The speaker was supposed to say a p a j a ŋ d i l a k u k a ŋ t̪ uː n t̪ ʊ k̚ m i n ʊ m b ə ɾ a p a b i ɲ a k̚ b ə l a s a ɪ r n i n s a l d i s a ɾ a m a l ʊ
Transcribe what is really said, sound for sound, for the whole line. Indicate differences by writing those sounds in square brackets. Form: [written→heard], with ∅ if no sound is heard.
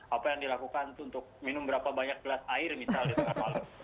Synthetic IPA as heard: a p a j a ŋ d i l a k u k a [ŋ→n] t̪ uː n t̪ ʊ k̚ m i n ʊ m b ə ɾ a p a b [i→a] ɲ a k̚ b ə l a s a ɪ r [n→m] i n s a l d i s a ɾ a m a l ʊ